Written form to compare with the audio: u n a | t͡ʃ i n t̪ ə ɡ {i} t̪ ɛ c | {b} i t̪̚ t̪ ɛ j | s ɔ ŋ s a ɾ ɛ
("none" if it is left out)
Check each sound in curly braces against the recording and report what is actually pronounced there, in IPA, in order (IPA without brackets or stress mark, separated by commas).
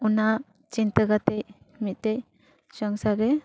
a, m